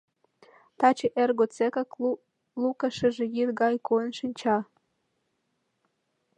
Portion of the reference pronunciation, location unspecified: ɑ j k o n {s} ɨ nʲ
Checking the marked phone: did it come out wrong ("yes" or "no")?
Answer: yes